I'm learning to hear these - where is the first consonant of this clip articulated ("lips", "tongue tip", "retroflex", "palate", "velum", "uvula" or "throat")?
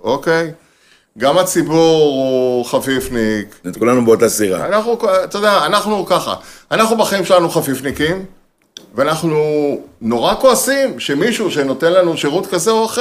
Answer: velum